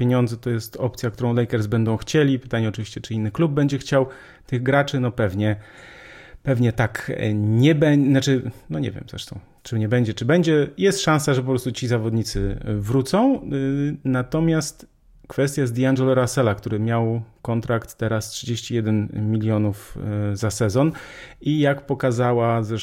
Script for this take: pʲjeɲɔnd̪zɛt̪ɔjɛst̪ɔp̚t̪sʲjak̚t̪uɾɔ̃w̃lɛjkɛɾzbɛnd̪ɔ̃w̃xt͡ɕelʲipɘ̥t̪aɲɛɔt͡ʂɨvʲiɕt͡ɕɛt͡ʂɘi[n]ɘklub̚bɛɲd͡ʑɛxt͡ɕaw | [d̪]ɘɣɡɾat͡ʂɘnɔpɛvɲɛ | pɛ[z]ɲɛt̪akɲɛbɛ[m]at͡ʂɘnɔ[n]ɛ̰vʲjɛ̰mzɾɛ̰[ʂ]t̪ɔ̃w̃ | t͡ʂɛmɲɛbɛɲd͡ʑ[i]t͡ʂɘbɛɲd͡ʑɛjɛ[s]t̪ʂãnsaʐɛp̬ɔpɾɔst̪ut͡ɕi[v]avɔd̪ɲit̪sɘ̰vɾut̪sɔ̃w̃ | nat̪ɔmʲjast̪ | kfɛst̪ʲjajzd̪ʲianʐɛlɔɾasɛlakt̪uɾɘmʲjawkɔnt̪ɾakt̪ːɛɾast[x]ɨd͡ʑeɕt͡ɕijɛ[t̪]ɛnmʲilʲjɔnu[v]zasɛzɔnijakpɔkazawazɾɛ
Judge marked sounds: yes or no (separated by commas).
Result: no, no, no, no, no, yes, no, yes, no, no, no, no